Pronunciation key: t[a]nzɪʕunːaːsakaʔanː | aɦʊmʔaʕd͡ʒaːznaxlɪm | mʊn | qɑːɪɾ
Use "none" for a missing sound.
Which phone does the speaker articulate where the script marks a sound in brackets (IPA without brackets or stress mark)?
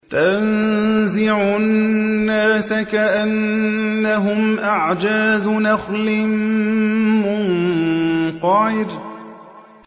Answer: a